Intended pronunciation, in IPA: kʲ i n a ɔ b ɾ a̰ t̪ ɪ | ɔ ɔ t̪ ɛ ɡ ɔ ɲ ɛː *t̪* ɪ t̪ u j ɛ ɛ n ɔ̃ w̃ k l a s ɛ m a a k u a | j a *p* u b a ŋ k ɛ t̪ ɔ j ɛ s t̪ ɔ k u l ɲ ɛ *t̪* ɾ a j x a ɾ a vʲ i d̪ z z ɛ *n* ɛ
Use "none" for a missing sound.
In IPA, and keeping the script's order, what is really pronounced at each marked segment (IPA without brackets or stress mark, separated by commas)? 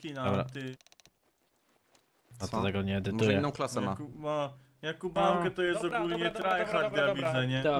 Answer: d̪, k, t̪, ɲ